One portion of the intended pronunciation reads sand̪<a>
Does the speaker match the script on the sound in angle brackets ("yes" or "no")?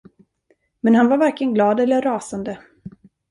no